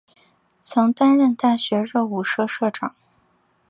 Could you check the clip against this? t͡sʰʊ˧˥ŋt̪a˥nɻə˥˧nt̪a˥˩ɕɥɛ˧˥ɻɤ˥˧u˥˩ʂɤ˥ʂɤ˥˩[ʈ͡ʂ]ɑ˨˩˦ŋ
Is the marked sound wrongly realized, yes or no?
no